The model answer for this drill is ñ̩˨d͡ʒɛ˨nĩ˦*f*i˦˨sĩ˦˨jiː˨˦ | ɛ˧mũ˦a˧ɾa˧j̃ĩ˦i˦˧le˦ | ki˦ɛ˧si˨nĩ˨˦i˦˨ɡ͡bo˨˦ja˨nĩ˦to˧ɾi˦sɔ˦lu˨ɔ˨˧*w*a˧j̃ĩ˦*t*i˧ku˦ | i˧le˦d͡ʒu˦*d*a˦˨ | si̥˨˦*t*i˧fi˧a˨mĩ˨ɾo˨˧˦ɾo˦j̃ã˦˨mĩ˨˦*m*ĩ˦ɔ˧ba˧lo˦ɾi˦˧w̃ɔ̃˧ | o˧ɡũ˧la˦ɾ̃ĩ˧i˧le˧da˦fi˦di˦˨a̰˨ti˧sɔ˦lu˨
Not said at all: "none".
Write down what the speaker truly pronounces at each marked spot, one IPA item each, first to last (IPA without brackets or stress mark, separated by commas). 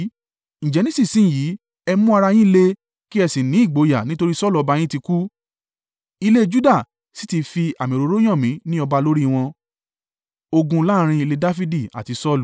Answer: s, b, t, d, t, n